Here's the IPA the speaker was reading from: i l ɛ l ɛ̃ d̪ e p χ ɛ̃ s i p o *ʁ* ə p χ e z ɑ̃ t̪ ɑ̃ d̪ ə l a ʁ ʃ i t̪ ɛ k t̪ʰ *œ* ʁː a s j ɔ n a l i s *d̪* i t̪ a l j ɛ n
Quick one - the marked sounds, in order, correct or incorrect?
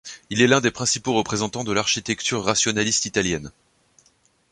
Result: correct, incorrect: y, incorrect: t̪

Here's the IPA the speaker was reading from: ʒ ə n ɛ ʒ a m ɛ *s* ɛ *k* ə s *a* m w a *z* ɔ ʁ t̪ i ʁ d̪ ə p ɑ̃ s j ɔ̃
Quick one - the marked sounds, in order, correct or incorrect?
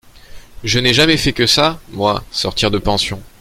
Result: incorrect: f, correct, correct, incorrect: s

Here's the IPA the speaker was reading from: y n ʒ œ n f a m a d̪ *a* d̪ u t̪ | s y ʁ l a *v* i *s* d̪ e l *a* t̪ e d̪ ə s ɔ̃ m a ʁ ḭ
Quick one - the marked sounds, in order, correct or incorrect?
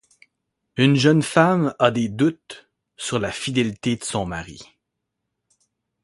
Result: incorrect: e, incorrect: f, incorrect: none, incorrect: i

